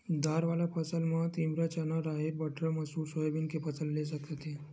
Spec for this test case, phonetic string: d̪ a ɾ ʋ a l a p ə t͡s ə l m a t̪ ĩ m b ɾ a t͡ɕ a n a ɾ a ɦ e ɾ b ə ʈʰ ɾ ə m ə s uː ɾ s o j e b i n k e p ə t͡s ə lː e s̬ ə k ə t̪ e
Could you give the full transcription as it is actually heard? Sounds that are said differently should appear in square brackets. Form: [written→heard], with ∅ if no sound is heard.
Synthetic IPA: d̪ a ɾ ʋ a l a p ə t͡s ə l m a t̪ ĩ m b ɾ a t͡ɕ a n a ɾ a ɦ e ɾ b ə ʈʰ ɾ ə m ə s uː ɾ s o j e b i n k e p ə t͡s ə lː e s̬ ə k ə t̪ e